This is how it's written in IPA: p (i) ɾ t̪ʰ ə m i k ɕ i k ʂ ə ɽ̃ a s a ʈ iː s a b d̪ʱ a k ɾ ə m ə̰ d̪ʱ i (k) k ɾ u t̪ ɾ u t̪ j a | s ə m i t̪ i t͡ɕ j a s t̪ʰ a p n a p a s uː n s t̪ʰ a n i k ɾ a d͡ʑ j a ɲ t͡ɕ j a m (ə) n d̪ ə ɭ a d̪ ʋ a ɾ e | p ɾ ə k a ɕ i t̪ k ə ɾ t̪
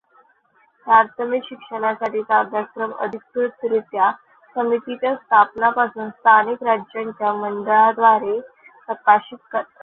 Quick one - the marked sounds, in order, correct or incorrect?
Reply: incorrect, correct, correct

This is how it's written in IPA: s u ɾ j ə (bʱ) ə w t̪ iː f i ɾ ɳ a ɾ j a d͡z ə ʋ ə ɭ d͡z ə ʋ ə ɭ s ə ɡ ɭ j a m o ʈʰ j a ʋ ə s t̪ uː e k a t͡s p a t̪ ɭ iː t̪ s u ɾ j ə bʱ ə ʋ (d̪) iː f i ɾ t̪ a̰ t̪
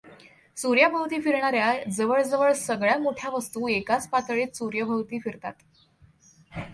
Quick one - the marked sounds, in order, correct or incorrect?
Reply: correct, incorrect

